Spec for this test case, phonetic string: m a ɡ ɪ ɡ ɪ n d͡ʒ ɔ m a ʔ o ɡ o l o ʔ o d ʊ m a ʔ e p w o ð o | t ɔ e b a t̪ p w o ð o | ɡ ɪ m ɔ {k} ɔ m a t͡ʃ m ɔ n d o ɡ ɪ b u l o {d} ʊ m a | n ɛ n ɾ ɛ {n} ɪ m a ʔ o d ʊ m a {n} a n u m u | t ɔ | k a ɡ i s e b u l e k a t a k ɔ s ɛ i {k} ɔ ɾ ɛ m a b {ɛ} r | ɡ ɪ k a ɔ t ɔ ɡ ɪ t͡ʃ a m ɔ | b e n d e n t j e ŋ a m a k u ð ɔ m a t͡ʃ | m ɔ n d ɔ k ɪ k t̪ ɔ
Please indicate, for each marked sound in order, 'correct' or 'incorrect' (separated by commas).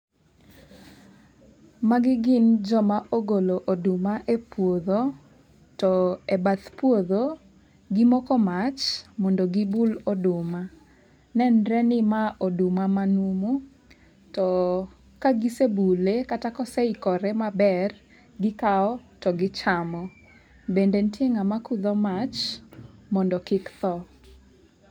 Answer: correct, correct, correct, incorrect, correct, correct